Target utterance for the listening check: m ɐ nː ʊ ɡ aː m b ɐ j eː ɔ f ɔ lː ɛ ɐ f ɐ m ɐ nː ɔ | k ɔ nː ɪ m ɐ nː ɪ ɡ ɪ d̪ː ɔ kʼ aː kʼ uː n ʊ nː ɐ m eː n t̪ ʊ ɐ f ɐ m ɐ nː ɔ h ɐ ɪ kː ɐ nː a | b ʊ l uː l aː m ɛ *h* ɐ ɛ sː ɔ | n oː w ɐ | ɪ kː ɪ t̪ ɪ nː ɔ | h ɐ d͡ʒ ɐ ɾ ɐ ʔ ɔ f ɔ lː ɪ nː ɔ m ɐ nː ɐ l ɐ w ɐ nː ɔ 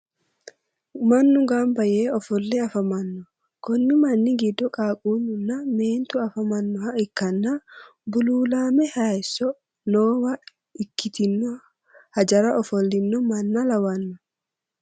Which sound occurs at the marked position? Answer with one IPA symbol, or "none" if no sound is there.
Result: h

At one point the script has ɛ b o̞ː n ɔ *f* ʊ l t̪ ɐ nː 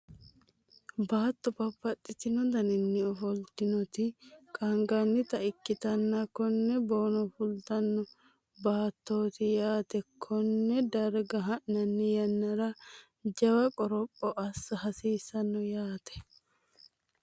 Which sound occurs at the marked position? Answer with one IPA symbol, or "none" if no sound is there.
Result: f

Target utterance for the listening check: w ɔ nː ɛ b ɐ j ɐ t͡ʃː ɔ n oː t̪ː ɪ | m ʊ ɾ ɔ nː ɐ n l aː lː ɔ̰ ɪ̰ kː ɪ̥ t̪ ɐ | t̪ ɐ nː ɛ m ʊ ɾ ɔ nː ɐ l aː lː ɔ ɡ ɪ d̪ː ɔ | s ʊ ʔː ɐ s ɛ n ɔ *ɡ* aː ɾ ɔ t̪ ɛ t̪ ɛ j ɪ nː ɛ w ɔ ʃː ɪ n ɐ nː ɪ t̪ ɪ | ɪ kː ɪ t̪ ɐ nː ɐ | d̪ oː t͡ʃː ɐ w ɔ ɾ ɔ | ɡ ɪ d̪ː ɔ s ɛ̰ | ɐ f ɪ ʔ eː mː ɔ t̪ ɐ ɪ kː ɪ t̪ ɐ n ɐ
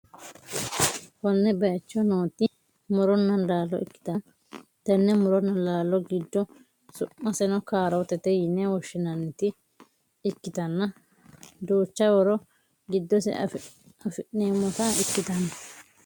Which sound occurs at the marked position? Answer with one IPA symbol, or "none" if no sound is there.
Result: k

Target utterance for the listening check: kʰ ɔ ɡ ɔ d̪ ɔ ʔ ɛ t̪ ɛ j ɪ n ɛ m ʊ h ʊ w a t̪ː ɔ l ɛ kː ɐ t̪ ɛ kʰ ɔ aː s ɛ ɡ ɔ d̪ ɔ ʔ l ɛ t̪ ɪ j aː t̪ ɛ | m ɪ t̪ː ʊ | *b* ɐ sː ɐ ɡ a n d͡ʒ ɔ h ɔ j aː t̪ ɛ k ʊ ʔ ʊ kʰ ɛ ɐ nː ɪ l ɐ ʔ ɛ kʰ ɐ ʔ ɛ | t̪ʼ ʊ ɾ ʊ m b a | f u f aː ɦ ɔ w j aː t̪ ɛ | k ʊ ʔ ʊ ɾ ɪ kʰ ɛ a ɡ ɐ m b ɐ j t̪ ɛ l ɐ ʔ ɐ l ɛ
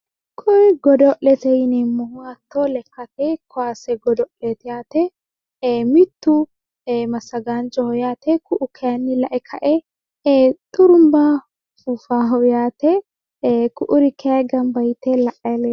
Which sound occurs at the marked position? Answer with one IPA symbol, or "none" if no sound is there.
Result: m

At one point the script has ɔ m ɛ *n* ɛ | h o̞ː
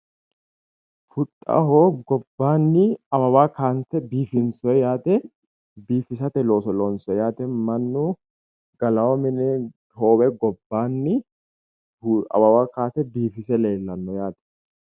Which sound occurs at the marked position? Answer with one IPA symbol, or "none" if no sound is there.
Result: n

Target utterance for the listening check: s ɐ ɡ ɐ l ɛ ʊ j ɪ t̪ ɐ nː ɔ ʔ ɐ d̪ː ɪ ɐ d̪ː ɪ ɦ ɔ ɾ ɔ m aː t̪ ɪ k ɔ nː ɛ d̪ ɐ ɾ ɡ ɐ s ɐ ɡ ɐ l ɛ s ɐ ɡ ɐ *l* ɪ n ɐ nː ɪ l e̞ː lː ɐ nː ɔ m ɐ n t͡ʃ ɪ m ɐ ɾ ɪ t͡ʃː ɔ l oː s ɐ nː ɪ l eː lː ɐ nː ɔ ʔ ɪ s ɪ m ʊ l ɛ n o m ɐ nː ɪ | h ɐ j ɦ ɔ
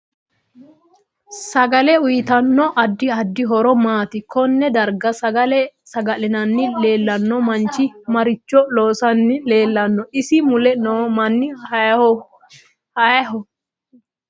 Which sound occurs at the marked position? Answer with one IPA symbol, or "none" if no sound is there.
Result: l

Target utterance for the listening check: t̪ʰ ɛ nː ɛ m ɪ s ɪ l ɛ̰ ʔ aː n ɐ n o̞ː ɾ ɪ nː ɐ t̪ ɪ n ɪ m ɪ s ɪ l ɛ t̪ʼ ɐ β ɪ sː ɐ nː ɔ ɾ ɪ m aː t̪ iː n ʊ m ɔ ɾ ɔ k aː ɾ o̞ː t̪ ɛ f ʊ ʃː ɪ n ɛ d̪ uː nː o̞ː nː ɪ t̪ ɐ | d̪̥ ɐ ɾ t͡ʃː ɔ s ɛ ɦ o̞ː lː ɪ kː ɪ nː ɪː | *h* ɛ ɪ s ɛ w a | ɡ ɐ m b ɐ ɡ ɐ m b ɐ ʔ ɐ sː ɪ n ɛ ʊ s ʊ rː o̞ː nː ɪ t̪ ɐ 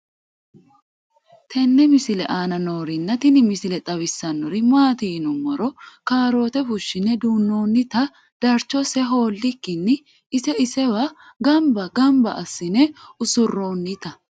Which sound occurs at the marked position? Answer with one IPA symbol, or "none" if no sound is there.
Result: s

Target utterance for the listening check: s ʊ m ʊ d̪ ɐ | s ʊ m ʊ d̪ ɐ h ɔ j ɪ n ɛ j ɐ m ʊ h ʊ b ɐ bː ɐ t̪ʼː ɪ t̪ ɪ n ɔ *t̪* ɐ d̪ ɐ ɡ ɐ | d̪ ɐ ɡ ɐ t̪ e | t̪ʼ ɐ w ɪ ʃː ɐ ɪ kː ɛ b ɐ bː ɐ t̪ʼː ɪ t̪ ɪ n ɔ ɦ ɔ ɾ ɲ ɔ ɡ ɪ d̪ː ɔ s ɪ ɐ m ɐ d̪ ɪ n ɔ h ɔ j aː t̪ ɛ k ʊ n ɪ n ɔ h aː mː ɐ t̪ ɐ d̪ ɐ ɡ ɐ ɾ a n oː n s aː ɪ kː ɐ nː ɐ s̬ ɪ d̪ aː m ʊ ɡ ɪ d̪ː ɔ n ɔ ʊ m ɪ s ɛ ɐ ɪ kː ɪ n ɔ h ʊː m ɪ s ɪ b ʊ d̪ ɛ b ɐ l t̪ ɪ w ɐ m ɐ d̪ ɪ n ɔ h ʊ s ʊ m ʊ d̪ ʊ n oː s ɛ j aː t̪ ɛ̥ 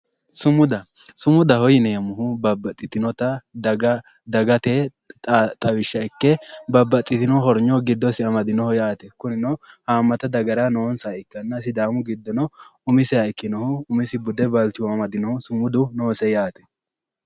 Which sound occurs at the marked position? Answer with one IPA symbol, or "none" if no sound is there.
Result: t̪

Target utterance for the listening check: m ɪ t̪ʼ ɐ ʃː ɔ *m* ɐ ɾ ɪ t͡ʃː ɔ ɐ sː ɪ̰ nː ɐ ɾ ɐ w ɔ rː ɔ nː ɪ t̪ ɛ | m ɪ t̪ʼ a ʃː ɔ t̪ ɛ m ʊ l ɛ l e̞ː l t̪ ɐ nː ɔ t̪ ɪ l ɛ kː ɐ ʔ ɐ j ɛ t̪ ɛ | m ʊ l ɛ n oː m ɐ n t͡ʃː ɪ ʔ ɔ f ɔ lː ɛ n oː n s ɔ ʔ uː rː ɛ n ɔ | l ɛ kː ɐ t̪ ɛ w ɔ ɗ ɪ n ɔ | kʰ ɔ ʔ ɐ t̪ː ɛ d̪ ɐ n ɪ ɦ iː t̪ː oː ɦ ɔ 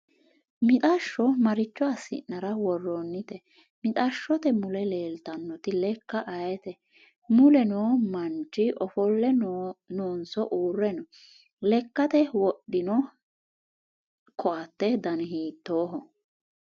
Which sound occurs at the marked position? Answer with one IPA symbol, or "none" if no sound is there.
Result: m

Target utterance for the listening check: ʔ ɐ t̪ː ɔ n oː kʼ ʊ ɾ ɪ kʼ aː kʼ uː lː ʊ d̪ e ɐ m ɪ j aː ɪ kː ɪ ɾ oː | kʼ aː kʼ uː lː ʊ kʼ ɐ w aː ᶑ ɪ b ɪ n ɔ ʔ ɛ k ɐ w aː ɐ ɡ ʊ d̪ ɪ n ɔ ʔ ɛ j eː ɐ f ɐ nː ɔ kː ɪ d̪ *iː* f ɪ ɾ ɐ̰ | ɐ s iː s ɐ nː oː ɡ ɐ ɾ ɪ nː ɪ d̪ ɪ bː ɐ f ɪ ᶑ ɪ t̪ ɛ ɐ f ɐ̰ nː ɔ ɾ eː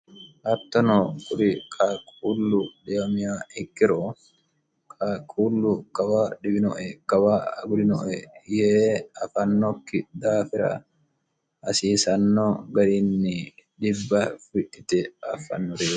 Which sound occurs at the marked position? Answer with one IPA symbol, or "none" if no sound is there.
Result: aː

